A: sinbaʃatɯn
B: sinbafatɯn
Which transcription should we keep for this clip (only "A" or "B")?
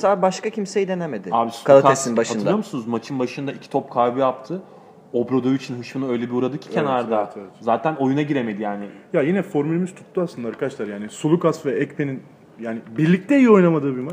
A